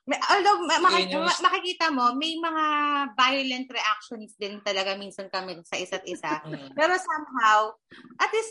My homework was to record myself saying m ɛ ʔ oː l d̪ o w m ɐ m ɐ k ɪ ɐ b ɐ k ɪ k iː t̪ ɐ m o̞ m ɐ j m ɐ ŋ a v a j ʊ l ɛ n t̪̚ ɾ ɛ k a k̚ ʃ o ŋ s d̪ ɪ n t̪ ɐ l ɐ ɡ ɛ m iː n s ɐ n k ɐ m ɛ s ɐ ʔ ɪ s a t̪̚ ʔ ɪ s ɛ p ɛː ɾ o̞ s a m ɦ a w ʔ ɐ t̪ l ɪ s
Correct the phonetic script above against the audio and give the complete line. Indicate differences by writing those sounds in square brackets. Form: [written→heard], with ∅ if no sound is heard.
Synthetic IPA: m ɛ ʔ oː l d̪ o w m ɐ m ɐ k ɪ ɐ [b→m] ɐ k ɪ k iː t̪ ɐ m o̞ m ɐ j m ɐ ŋ a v a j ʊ l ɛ n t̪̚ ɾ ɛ [k→ʔ] a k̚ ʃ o [ŋ→n] s d̪ ɪ n t̪ ɐ l ɐ ɡ [ɛ→a] m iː n s ɐ n k ɐ m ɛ s ɐ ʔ ɪ s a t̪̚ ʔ ɪ s [ɛ→a] p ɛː ɾ o̞ s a m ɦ a w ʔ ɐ t̪ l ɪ s